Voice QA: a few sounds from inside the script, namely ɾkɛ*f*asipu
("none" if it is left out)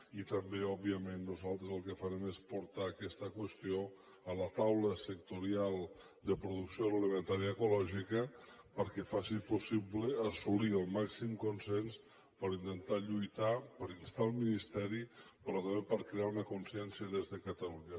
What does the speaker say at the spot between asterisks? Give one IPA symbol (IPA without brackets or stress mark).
f